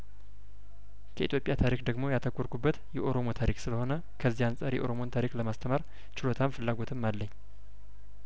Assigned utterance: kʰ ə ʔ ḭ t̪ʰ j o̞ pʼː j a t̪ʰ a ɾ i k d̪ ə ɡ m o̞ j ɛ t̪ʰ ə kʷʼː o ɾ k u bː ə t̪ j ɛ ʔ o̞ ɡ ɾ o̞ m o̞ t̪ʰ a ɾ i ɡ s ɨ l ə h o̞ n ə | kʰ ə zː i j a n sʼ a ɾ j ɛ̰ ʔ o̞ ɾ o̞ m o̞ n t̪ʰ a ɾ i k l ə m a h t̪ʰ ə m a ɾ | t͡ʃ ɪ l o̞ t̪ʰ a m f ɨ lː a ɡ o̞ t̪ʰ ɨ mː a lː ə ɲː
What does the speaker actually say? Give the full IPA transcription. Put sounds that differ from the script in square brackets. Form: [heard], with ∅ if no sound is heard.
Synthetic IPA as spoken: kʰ ə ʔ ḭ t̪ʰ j o̞ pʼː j a t̪ʰ a ɾ i k d̪ ə ɡ m o̞ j [a] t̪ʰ ə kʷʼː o ɾ k u bː ə t̪ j ɛ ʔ o̞ [∅] ɾ o̞ m o̞ t̪ʰ a ɾ i [k] s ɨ l ə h o̞ n ə | kʰ ə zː i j a n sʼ a ɾ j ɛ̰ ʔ o̞ ɾ o̞ m o̞ n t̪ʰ a ɾ i k l ə m a [s] t̪ʰ ə m a ɾ | t͡ʃ ɪ l o̞ t̪ʰ a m f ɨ lː a ɡ o̞ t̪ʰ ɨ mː a lː ə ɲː